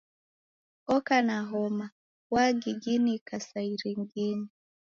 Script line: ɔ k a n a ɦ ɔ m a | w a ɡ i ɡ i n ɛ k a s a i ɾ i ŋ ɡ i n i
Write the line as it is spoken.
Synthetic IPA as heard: ɔ k a n a ɦ ɔ m a | w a ɡ i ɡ i n i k a s a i ɾ i ŋ ɡ i n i

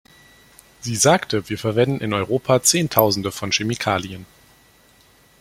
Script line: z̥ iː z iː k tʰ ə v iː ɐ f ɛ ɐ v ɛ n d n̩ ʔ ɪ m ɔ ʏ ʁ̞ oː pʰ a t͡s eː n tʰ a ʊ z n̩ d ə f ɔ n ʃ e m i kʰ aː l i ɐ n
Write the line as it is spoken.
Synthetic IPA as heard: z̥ iː z aː k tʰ ə v iː ɐ f ɛ ɐ v ɛ n d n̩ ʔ ɪ n ɔ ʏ ʁ̞ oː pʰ a t͡s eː n tʰ a ʊ z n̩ d ə f ɔ n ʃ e m i kʰ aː l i ə n

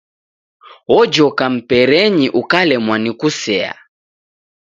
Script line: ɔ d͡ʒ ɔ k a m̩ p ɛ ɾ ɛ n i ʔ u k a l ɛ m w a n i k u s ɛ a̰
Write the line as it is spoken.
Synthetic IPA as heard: ɔ d͡ʒ ɔ k a m̩ p ɛ ɾ ɛ ɲ i ʔ u k a l ɛ m w a n i k u s ɛ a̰

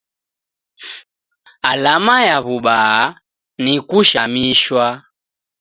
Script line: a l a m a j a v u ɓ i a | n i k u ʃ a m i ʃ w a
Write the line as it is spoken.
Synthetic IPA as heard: a l a m a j a β u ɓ a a | n i k u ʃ a m i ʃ w a

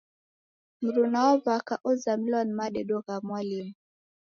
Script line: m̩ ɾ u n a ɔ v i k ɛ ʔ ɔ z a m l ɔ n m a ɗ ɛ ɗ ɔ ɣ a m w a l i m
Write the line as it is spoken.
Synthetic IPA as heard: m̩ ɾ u n a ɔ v a k a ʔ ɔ z a m l ɔ n m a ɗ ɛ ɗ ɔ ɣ a m w a l i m

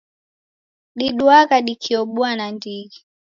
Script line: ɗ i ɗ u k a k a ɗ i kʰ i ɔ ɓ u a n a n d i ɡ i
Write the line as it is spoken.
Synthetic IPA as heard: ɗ i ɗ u a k a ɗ i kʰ i ɔ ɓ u a n a n d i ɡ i

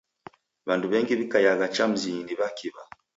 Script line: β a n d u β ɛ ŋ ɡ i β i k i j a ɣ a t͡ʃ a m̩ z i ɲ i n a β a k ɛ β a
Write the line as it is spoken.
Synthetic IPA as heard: β a n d u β ɛ ŋ ɡ i β i k a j a ɣ a t͡ʃ a m̩ z i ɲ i n i β a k i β a

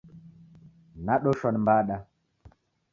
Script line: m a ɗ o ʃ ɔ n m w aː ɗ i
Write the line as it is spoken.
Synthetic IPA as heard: n a ɗ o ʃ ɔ n m b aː ɗ a

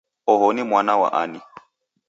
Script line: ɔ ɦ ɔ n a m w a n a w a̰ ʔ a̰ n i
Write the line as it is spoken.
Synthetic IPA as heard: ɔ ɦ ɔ n i m w a n a w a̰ ʔ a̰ n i

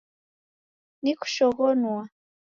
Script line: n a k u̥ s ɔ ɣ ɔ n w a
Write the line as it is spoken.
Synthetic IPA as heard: n i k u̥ ʃ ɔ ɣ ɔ n w a

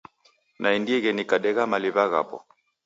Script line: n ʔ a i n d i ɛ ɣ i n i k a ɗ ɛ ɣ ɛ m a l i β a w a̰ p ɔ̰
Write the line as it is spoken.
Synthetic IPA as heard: n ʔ a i n d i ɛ ɣ ɛ n i k a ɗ ɛ ɣ a m a l i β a ɣ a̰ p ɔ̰

